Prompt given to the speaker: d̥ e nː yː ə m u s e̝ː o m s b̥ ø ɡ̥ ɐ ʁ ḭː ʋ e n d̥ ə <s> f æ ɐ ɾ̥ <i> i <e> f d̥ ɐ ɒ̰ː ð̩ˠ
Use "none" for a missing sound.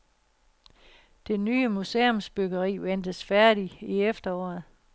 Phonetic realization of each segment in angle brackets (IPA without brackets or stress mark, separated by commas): s, i, e